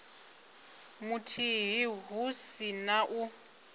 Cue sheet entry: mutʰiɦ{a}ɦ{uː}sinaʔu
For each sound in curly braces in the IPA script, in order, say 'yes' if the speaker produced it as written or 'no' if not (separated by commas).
no, no